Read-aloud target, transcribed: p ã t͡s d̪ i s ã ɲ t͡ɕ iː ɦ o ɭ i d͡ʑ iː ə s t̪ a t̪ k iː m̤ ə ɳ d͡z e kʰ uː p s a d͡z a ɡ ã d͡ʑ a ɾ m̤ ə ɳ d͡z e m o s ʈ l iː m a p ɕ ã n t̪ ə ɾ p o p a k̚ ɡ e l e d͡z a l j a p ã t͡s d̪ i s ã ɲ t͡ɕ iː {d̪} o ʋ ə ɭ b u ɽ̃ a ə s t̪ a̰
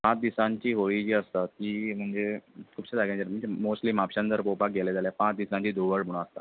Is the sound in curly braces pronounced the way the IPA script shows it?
yes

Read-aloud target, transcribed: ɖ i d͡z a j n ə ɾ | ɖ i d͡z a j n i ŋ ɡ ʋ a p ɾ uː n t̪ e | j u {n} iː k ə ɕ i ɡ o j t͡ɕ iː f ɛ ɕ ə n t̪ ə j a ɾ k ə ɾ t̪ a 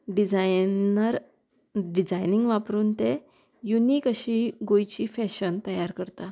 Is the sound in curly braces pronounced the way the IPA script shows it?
yes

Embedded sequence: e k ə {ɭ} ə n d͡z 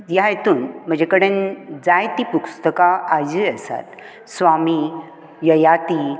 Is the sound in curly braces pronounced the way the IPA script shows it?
no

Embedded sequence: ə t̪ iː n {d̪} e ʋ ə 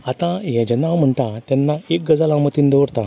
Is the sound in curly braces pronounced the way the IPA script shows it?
yes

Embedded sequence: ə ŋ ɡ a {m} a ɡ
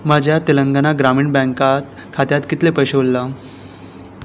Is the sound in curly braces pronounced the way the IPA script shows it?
no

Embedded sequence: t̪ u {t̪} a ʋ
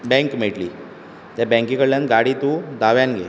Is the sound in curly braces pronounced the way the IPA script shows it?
no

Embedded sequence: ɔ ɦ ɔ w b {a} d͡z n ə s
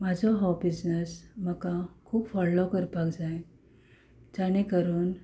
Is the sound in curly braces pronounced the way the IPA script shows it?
no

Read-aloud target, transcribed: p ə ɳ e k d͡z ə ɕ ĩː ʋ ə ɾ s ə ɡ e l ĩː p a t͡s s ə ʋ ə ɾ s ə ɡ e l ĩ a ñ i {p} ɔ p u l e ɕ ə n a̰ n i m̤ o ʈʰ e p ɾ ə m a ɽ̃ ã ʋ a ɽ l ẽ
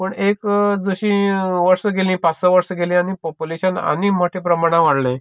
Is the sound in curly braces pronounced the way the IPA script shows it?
yes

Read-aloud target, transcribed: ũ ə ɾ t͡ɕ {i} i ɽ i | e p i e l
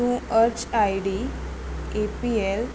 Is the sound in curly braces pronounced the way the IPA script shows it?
no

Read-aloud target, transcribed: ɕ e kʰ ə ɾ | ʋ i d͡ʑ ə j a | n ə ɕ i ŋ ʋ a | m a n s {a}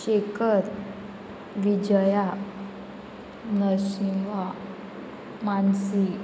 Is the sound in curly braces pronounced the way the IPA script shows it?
no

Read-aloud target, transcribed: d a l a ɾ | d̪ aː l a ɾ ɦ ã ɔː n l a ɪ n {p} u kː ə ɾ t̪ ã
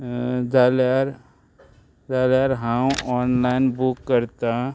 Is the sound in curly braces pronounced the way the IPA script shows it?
no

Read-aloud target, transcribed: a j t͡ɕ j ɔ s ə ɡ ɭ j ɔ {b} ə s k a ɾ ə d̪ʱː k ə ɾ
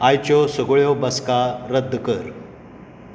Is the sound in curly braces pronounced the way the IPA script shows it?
yes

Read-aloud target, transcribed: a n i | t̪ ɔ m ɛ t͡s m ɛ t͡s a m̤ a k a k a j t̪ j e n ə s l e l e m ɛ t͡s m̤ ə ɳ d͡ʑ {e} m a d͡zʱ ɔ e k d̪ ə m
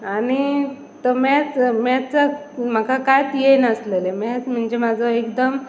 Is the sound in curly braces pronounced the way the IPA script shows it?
yes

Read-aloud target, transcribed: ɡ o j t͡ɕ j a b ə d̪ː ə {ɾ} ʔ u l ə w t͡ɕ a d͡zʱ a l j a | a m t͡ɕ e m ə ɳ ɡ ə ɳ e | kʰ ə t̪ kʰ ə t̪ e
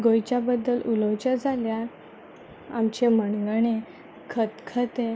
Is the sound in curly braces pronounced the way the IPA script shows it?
no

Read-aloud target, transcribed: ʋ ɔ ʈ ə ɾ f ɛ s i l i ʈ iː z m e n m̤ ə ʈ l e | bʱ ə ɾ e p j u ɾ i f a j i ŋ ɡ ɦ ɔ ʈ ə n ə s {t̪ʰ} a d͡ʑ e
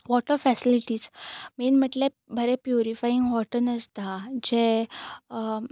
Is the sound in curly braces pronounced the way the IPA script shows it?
no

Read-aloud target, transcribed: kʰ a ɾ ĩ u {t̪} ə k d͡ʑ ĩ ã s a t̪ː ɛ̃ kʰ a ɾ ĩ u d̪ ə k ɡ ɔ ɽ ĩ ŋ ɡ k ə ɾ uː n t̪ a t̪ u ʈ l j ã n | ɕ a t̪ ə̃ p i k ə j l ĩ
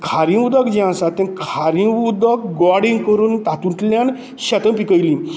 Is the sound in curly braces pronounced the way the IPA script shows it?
no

